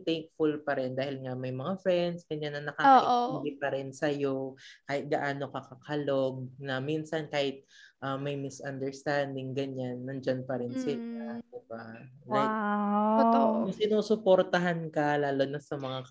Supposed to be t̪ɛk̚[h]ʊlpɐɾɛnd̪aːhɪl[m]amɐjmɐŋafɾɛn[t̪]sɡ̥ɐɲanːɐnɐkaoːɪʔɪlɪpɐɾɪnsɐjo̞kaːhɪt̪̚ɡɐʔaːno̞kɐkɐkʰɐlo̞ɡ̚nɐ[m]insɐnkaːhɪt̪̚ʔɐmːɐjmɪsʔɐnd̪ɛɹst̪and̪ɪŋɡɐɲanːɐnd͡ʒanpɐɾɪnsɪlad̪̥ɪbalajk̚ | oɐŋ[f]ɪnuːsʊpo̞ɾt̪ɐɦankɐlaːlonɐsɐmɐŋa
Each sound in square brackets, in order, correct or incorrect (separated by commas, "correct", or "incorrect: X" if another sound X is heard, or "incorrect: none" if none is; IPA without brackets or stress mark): incorrect: f, incorrect: ŋ, incorrect: d̪, correct, incorrect: s